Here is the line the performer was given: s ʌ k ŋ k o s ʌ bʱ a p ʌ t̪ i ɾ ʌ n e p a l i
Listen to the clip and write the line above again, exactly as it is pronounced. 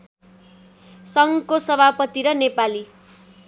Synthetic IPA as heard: s ʌ ŋ k o s ʌ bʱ a p ʌ t̪ i ɾ ʌ n e p a l i